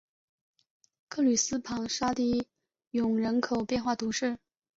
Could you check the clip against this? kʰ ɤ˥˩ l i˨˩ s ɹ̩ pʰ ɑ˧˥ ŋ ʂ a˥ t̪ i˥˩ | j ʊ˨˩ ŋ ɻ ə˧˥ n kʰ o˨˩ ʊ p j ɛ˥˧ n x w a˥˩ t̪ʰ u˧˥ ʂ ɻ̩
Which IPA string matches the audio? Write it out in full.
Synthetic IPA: kʰ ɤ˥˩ l y˨˩ s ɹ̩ pʰ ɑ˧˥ ŋ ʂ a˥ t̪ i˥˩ | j ʊ˨˩ ŋ ɻ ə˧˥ n kʰ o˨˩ ʊ p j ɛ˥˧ n x w a˥˩ t̪ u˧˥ ʂ ɻ̩

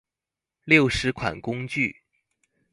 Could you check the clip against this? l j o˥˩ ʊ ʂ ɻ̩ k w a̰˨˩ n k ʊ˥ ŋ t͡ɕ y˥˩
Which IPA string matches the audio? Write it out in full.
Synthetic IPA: l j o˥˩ ʊ ʂ ɻ̩ kʰ w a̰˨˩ n k ʊ˥ ŋ t͡ɕ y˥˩

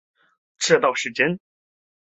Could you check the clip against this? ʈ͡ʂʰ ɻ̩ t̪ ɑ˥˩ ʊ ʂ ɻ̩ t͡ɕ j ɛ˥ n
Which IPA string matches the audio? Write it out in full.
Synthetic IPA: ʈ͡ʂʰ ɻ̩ t̪ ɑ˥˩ ʊ ʂ ɻ̩ t͡ɕ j ɛ˥ n

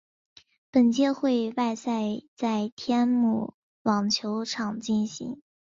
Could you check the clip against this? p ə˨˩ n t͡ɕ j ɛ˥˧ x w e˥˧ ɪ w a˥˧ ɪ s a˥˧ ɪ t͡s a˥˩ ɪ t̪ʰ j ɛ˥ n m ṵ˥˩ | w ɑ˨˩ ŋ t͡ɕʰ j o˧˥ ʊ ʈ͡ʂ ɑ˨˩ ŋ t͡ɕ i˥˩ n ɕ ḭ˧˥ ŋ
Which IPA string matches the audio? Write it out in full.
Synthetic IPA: p ə˨˩ n t͡ɕ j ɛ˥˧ x w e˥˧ ɪ w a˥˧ ɪ s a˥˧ ɪ t͡s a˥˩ ɪ t̪ʰ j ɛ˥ n m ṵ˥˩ | w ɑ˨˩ ŋ t͡ɕʰ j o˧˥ ʊ ʈ͡ʂʰ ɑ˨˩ ŋ t͡ɕ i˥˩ n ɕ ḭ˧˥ ŋ

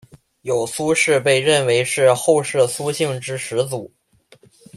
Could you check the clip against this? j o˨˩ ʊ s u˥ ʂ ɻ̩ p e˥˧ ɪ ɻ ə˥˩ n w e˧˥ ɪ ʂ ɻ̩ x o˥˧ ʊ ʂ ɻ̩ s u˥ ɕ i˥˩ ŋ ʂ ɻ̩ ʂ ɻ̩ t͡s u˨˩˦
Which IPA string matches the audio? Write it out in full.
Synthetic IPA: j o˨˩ ʊ s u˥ ʂ ɻ̩ p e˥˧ ɪ ɻ ə˥˩ n w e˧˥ ɪ ʂ ɻ̩ x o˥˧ ʊ ʂ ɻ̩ s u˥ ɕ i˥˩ ŋ ʈ͡ʂ ɻ̩ ʂ ɻ̩ t͡s u˨˩˦

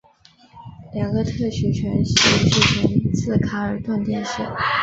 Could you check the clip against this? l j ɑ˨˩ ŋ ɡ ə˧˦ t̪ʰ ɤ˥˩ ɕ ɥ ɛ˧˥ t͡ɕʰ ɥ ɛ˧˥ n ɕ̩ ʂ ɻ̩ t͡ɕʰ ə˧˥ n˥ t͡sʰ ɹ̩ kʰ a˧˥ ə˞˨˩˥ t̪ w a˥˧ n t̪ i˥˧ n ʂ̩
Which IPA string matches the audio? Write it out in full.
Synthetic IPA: l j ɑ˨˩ ŋ ɡ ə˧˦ t̪ʰ ɤ˥˩ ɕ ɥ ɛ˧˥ t͡ɕʰ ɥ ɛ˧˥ n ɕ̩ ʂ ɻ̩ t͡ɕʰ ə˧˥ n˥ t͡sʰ ɹ̩ kʰ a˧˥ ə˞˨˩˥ t̪ w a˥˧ n t̪ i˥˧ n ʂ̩

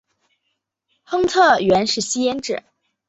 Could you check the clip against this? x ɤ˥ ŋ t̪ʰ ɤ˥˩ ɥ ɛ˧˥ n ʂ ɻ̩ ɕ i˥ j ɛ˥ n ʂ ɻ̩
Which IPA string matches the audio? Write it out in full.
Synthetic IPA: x ɤ˥ ŋ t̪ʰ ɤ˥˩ ɥ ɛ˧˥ n ʂ ɻ̩ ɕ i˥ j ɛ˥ n ʈ͡ʂ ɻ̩

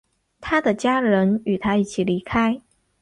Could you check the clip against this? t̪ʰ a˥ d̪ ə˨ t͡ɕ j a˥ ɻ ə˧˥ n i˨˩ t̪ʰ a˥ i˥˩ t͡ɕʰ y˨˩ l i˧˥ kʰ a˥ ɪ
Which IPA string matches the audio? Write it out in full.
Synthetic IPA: t̪ʰ a˥ d̪ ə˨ t͡ɕ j a˥ ɻ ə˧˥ n y˨˩ t̪ʰ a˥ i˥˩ t͡ɕʰ i˨˩ l i˧˥ kʰ a˥ ɪ

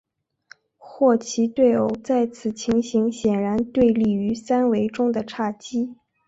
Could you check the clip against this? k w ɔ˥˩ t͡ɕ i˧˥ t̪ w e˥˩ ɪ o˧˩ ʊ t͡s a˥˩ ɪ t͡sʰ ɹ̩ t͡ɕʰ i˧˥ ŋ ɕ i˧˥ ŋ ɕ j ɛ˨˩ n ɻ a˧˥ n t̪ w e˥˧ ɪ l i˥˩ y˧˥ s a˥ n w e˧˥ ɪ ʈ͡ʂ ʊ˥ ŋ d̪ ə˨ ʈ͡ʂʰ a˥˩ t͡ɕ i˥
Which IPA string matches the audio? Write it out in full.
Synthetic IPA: x w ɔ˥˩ t͡ɕʰ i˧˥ t̪ w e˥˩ ɪ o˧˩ ʊ t͡s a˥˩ ɪ t͡sʰ ɹ̩ t͡ɕʰ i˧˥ ŋ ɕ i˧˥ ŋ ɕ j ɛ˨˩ n ɻ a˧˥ n t̪ w e˥˧ ɪ l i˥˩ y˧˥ s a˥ n w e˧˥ ɪ ʈ͡ʂ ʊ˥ ŋ d̪ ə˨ ʈ͡ʂʰ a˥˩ t͡ɕ i˥

